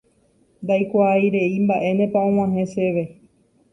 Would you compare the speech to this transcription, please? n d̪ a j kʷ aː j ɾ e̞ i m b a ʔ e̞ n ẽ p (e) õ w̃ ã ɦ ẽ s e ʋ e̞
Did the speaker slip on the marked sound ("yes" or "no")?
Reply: yes